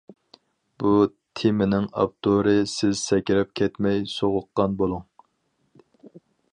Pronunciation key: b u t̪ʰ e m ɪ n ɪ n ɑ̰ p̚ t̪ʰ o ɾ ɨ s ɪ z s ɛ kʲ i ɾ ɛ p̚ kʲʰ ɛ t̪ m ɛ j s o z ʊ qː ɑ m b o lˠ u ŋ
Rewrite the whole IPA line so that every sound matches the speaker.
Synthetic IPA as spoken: b u t̪ʰ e m ɪ n ɪ ŋ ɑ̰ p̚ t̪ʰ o ɾ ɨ s ɪ z s ɛ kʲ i ɾ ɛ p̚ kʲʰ ɛ t̪ m ɛ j s o ʁ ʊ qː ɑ n b o lˠ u ŋ